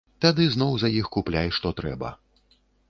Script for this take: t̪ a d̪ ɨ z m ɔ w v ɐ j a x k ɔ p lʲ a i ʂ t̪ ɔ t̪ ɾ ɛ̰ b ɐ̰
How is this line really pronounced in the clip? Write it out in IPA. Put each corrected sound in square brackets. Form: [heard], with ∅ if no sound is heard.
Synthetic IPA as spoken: t̪ a d̪ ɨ z [n] ɔ w [z] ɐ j [i] x k [u] p lʲ a [j] ʂ t̪ ɔ t̪ ɾ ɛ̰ b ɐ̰